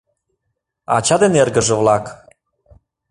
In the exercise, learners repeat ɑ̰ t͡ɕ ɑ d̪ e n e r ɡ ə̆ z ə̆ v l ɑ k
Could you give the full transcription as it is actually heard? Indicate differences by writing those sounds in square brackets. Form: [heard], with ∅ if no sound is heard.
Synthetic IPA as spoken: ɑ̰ t͡ɕ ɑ d̪ e n e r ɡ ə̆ [ʒ] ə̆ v l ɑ k

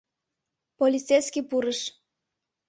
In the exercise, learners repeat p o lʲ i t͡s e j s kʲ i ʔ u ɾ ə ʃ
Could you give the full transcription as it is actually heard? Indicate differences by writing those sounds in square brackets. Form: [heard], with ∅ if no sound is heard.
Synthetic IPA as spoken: p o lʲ i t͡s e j s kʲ i [p] u ɾ ə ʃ

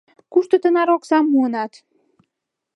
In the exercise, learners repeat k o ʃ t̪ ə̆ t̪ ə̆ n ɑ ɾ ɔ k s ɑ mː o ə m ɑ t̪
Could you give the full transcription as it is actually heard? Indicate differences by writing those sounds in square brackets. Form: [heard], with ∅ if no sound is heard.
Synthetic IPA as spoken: k [u] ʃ t̪ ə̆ t̪ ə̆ n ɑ ɾ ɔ k s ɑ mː [u] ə [n] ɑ t̪

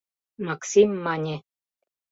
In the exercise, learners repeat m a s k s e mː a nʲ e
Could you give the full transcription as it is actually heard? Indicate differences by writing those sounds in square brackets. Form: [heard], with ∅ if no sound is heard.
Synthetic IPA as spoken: m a [∅] k s [i] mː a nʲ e

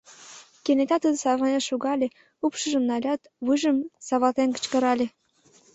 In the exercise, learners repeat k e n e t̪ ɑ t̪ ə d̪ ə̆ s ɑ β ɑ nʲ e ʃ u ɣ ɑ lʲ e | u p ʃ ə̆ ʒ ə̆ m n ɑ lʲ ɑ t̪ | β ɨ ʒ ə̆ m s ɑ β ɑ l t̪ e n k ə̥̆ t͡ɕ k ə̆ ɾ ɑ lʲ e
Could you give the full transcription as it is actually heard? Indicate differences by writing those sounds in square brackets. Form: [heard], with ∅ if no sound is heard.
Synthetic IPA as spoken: k e n e t̪ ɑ t̪ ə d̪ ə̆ s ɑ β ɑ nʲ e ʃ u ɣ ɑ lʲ e | u p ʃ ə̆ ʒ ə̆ m n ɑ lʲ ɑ t̪ | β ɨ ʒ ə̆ m s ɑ β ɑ l t̪ e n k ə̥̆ t͡ɕ k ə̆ ɾ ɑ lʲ e

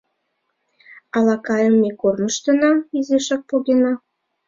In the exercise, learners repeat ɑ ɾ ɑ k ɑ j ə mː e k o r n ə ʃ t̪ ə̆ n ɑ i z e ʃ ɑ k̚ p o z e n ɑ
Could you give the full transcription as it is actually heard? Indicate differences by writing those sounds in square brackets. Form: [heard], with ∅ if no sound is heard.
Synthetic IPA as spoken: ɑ [l] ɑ k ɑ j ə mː e k o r n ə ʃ t̪ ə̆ n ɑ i z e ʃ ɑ k̚ p o [ɣ] e n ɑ

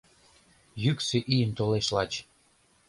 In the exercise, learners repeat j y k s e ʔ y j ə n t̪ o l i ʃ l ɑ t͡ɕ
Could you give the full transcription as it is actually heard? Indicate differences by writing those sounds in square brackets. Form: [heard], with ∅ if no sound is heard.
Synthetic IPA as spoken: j y k s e ʔ [i] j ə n t̪ o l [e] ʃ l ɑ t͡ɕ

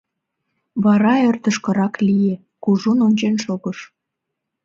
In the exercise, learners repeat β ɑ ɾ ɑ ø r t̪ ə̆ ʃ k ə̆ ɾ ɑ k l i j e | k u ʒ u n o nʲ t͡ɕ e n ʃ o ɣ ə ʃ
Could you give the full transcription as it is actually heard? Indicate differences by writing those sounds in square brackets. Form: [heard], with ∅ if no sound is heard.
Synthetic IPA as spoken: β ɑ ɾ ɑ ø r t̪ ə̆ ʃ k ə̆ ɾ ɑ k l i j e | k u ʒ u n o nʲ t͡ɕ e n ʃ o ɣ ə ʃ

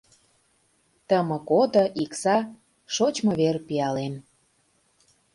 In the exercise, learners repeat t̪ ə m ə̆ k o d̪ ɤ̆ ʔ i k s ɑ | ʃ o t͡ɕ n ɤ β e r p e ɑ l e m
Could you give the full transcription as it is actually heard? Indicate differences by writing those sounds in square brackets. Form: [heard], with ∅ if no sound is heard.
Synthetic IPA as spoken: t̪ ə m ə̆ k o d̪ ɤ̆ ʔ i k s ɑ | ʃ o t͡ɕ [m] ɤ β e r p [i] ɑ l e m

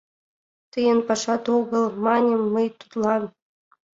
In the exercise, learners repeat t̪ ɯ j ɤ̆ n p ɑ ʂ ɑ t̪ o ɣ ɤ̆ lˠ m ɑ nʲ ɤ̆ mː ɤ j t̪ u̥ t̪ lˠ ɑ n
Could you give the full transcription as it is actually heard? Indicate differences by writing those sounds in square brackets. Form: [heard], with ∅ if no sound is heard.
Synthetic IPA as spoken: t̪ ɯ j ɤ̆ n p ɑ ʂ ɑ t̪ o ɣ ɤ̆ lˠ m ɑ nʲ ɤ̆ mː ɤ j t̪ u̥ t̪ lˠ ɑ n

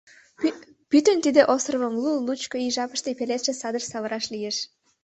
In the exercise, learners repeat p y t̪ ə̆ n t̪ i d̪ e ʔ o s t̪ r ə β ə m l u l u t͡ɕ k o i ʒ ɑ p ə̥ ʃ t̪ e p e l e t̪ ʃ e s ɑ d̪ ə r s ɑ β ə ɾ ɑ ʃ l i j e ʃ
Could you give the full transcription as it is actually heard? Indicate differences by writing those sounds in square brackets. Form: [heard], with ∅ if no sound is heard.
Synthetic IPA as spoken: p y t̪ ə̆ n t̪ i d̪ e ʔ o s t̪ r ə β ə m l u l u t͡ɕ k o i ʒ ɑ p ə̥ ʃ t̪ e p e l e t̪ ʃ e s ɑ d̪ ə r s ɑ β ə ɾ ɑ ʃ l i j e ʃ

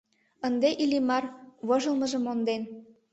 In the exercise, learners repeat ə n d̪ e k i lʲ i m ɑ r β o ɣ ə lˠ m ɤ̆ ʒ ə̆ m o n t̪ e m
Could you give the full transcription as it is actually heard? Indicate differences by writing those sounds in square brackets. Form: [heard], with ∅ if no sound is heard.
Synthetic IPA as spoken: ə n d̪ e [ʔ] i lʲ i m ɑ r β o [ʒ] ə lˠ m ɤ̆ ʒ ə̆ m o n [d̪] e [n]

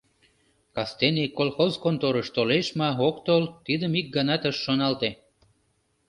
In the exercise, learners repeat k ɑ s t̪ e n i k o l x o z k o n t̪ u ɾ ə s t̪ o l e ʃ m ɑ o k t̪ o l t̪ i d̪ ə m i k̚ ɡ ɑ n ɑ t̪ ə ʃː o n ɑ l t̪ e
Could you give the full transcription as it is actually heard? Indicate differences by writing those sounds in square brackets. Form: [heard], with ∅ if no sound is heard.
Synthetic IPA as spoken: k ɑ s t̪ e n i k o l x o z k o n t̪ [o] ɾ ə [ʃ] t̪ o l e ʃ m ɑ o k t̪ o l t̪ i d̪ ə m i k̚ ɡ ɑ n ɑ t̪ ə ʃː o n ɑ l t̪ e

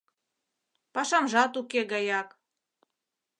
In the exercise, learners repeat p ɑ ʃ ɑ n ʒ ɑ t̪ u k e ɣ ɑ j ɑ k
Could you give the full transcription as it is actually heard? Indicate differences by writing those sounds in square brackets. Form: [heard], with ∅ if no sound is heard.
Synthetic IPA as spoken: p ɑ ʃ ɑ [m] ʒ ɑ t̪ u k e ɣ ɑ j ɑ k

